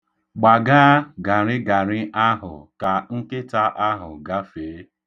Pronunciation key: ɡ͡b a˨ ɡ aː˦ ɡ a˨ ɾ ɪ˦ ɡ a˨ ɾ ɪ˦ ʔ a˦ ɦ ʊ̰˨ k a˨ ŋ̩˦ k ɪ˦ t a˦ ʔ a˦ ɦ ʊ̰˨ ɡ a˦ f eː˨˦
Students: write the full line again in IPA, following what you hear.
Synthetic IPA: ɡ͡b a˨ ɡ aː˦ ɡ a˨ ɾ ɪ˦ ɡ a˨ ɾ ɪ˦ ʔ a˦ ɦ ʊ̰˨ k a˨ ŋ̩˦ k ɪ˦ t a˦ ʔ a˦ ɦ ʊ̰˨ ɡ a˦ f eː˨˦